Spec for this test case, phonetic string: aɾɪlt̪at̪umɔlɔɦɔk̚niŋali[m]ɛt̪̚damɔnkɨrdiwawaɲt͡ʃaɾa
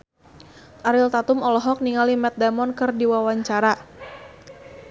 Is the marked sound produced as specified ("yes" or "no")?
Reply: yes